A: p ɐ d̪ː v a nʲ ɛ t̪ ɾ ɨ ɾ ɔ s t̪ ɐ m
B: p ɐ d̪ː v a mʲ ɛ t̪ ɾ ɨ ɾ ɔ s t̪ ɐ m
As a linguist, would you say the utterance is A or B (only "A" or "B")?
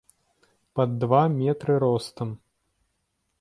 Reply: B